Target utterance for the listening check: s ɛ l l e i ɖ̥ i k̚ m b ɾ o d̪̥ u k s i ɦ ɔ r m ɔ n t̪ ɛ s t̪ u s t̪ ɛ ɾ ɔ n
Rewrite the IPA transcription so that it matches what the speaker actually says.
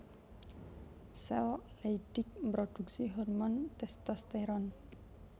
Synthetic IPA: s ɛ l l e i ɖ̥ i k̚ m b ɾ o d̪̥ u k s i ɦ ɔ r m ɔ n t̪ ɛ s t̪ ɔ s t̪ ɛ ɾ ɔ n